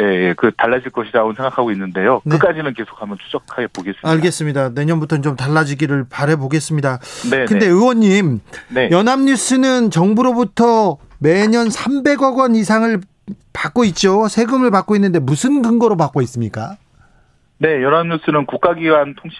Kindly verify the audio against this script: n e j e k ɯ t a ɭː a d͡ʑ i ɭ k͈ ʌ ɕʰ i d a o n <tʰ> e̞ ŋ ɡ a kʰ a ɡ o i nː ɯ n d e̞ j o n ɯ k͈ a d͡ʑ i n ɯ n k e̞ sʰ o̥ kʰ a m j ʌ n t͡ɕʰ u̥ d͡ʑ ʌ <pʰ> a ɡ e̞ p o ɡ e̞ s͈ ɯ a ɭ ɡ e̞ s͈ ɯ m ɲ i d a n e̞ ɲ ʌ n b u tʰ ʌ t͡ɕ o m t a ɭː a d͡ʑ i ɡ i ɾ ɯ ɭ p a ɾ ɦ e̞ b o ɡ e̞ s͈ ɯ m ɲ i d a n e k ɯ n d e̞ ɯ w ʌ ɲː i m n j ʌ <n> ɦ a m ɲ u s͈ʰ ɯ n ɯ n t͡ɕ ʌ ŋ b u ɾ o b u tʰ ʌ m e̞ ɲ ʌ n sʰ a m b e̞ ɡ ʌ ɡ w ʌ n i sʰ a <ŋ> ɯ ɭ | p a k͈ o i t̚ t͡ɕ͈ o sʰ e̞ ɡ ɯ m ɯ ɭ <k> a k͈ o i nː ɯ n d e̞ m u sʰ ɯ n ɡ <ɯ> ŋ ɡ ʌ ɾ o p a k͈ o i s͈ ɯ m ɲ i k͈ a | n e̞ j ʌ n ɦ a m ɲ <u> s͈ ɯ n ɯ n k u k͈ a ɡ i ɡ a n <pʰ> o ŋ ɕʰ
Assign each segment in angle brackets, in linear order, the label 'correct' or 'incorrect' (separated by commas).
incorrect, incorrect, correct, correct, incorrect, correct, correct, incorrect